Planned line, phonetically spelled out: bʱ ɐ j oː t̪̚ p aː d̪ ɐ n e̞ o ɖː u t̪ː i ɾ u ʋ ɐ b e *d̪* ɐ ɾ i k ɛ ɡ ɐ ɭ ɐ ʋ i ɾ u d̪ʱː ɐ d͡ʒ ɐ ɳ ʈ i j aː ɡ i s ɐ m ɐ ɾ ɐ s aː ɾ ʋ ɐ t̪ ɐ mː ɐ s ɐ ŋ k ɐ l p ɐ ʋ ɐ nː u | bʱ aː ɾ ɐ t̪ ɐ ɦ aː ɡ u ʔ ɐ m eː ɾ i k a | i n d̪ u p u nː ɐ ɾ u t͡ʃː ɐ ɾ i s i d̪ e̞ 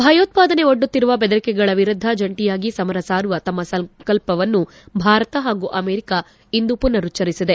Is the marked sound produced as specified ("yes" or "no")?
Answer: yes